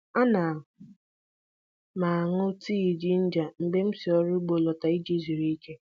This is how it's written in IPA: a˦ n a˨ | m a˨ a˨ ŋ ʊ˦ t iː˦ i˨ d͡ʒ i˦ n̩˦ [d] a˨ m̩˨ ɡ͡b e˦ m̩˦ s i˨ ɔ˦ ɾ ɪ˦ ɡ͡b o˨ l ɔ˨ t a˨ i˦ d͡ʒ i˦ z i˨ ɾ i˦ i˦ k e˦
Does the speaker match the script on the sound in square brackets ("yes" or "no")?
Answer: no